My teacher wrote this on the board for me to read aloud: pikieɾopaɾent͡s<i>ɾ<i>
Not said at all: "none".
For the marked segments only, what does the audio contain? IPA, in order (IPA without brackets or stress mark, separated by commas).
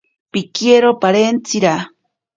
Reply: i, a